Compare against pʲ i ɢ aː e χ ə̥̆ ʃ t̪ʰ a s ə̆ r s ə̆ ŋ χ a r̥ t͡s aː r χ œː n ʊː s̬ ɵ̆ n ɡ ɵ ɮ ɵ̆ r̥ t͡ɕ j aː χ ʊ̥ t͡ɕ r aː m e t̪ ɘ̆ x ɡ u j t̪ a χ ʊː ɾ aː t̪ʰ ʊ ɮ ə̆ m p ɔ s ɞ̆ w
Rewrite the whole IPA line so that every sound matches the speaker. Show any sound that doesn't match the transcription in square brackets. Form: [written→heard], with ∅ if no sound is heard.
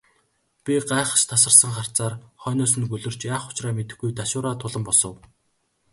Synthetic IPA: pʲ i ɢ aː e χ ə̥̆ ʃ t̪ʰ a s ə̆ r s ə̆ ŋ χ a r̥ t͡s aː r χ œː n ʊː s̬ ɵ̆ n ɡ ɵ ɮ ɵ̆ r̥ t͡ɕ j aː χ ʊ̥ t͡ɕ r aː m e t̪ ɘ̆ x ɡ u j t̪ a [χ→ʃ] ʊː ɾ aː t̪ʰ ʊ ɮ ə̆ m p ɔ s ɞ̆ w

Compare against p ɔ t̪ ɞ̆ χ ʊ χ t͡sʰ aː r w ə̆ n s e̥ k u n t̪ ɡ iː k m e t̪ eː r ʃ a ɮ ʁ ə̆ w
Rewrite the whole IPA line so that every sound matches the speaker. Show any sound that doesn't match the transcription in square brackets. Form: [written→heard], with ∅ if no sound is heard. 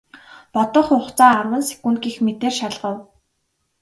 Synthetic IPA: p ɔ t̪ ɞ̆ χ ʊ χ [t͡sʰ→t͡s] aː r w ə̆ n s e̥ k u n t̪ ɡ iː [k→x] m e t̪ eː r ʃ a ɮ ʁ ə̆ w

